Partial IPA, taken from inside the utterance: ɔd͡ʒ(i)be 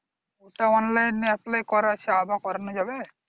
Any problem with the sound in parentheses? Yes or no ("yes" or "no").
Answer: yes